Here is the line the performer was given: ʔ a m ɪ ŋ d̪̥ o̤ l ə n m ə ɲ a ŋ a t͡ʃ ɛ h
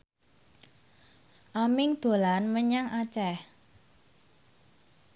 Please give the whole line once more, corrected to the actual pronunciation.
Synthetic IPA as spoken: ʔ a m ɪ ŋ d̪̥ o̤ l a n m ə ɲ a ŋ a t͡ʃ ɛ h